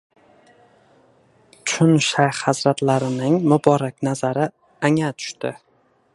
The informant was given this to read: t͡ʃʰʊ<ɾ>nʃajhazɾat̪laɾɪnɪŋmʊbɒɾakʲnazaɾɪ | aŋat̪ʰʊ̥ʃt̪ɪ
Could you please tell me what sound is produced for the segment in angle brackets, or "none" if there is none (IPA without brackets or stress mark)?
none